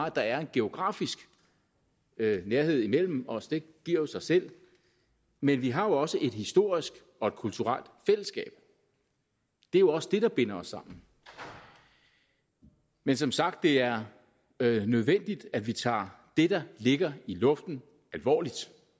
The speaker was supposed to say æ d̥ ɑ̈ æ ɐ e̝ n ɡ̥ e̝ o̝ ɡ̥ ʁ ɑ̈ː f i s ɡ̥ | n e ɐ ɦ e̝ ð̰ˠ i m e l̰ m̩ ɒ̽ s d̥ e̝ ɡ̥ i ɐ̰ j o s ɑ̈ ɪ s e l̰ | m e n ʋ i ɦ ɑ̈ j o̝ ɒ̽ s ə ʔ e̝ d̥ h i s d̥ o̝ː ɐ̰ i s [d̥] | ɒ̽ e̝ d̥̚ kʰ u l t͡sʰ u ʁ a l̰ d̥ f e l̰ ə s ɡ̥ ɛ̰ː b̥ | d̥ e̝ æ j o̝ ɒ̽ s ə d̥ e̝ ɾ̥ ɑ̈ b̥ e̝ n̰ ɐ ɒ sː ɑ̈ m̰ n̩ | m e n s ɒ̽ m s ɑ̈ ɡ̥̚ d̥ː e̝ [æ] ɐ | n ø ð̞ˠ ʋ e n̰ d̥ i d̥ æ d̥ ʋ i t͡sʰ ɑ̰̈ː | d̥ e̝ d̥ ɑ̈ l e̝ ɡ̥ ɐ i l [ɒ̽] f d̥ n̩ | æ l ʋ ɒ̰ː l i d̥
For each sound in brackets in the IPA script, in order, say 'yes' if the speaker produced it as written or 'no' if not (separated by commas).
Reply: no, yes, no